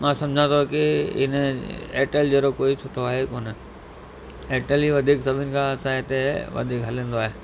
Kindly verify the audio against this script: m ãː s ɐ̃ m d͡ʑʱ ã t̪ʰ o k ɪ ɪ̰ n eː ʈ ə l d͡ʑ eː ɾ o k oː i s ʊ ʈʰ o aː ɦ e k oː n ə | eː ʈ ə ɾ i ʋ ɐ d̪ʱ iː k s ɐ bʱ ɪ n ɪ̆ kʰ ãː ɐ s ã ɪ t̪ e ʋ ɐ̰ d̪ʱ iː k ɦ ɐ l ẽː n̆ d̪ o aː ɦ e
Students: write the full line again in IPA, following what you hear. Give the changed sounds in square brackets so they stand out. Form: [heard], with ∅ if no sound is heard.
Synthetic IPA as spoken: m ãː s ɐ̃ m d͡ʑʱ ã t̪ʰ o k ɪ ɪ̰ n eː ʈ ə l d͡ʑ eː ɾ o k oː i s ʊ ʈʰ o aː ɦ e k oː n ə | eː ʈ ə [l] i ʋ ɐ d̪ʱ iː k s ɐ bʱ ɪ n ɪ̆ kʰ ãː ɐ s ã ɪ t̪ e ʋ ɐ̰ d̪ʱ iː k ɦ ɐ l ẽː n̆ d̪ o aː ɦ e